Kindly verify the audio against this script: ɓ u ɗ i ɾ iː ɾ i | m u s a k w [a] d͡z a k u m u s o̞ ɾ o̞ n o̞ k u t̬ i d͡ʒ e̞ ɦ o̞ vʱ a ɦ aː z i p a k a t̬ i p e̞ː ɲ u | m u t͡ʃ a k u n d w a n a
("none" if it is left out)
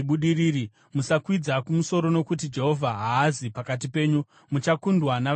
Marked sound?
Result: i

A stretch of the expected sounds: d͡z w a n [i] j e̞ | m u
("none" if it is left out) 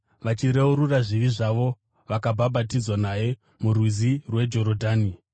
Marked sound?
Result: a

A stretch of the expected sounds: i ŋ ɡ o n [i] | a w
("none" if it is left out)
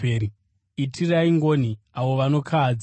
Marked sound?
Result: i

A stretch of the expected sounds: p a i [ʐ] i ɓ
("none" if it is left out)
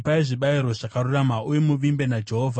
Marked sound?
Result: ʐ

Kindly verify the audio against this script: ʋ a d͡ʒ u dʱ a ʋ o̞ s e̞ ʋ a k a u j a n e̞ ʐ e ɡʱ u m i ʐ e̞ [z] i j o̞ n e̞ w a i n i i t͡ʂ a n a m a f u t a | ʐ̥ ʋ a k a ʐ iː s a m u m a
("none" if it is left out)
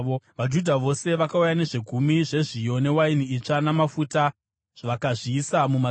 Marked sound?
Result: ʐ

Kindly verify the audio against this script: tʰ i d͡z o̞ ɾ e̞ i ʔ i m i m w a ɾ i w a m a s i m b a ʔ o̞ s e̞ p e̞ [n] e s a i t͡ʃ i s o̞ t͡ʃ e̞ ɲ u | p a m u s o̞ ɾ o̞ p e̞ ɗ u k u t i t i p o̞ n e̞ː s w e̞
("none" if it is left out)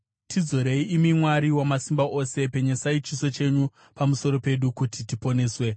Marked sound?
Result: ɲ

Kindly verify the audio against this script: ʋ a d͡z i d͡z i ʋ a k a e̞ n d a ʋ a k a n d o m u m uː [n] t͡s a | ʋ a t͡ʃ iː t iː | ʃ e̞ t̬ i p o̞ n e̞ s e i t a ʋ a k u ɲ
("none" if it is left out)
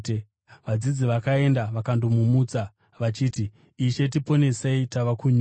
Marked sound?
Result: none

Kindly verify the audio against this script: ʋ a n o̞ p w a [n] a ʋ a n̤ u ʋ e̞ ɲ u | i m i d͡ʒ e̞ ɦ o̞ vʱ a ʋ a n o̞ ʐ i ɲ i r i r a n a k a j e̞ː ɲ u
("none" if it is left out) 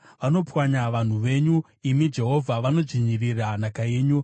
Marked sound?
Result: ɲ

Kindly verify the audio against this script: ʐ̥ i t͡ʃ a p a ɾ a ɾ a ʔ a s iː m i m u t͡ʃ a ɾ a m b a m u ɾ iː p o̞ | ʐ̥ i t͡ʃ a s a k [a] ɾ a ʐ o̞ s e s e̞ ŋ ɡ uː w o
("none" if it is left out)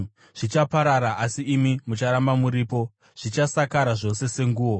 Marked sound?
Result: a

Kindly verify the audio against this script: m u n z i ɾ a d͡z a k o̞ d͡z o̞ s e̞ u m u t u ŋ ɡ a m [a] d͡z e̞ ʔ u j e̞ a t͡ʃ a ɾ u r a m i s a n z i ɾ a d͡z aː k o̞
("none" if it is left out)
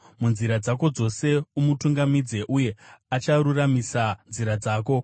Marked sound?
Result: i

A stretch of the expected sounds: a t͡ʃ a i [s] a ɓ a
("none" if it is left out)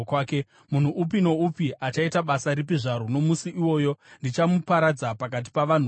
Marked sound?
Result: t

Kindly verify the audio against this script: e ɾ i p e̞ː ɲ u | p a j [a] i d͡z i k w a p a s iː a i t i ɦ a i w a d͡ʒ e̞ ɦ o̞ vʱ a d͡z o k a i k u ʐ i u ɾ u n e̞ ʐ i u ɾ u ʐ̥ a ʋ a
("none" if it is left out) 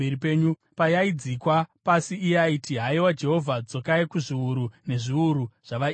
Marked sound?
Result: a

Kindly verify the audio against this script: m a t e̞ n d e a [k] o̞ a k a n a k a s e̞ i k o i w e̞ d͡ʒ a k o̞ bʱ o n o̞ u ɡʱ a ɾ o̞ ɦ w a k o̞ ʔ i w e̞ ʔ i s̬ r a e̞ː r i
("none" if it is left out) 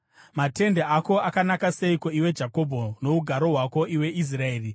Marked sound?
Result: k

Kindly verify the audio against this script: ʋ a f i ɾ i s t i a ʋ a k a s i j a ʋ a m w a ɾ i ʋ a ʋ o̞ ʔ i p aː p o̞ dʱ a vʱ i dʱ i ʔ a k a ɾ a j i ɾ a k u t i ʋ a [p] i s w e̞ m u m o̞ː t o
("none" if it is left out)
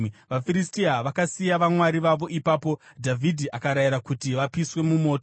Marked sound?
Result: p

